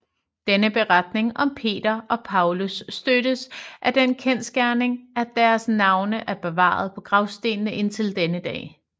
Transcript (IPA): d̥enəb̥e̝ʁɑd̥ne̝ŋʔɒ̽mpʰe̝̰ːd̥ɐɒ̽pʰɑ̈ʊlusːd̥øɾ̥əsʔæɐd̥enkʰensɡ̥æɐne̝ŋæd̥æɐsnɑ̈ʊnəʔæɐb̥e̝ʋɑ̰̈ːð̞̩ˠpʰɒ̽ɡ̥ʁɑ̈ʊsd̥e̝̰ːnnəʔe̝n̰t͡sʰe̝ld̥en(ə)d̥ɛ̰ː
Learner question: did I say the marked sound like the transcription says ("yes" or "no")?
yes